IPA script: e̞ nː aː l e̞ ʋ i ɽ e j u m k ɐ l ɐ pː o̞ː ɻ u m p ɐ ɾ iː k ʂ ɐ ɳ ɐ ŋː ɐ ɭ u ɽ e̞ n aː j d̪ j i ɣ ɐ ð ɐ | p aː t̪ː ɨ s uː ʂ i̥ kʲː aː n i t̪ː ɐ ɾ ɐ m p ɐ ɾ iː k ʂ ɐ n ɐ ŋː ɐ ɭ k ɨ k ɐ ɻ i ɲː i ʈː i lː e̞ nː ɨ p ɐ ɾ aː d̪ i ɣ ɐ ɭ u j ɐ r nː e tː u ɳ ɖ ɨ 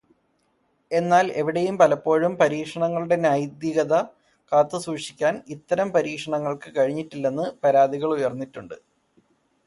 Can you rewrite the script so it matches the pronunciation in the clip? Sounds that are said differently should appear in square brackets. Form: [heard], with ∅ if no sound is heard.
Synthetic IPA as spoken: e̞ nː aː l e̞ ʋ i ɽ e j u m [p] ɐ l ɐ pː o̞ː ɻ u m p ɐ ɾ iː k ʂ ɐ ɳ ɐ ŋː ɐ ɭ u ɽ e̞ n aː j d̪ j i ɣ ɐ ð ɐ | [k] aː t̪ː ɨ s uː ʂ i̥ kʲː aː n i t̪ː ɐ ɾ ɐ m p ɐ ɾ iː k ʂ ɐ [ɳ] ɐ ŋː ɐ ɭ k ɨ k ɐ ɻ i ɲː i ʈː i lː e̞ nː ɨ p ɐ ɾ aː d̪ i ɣ ɐ ɭ u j ɐ r nː [i] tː u ɳ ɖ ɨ